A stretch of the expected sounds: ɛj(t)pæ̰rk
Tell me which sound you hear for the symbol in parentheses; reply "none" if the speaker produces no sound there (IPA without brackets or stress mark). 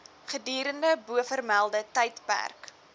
t